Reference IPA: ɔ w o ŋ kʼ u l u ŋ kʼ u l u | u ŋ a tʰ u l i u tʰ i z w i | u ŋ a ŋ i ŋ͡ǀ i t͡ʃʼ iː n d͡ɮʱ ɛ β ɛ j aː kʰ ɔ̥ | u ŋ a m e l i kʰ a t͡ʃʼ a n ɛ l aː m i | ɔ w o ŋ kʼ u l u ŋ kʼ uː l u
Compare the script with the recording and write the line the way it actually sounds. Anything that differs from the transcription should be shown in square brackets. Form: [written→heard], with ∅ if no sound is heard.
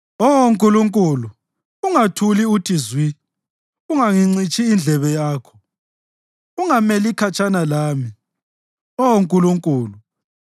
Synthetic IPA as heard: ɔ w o ŋ kʼ u l u ŋ kʼ u l u | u ŋ a tʰ u l i u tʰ i z w i | u ŋ a ŋ i ŋ͡ǀ i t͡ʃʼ iː n d͡ɮʱ ɛ β ɛ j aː kʰ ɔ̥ | u ŋ a m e l i kʰ a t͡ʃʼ a n [ɛ→a] l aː m i | ɔ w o ŋ kʼ u l u ŋ kʼ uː l u